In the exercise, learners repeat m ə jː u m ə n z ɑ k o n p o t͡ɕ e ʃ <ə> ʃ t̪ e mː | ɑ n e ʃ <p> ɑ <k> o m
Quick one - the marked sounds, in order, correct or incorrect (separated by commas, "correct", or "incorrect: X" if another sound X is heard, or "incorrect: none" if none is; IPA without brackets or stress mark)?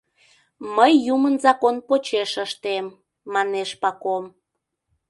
correct, correct, correct